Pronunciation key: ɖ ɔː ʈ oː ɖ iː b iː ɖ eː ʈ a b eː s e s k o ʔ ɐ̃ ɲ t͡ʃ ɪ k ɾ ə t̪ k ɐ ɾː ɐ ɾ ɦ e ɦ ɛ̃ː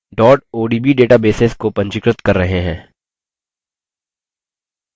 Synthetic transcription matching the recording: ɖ ɔː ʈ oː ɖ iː b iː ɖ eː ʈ a b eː s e s k o p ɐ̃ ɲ t͡ʃ ɪ k ɾ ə t̪ k ɐ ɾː ɐ ɦ e ɦ ɛ̃ː